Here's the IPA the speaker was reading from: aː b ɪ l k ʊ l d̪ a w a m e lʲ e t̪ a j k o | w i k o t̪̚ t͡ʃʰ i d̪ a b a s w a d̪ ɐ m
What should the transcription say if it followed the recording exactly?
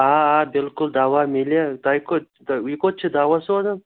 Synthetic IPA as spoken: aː b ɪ l k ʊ l d̪ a w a m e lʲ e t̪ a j k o | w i k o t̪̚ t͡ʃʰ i d̪ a w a s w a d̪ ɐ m